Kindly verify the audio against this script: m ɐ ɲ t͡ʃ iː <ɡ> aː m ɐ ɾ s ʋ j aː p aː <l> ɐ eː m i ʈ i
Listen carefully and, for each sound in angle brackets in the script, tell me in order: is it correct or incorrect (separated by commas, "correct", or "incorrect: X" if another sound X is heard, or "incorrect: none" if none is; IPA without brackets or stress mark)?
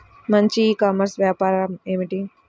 incorrect: k, incorrect: ɾ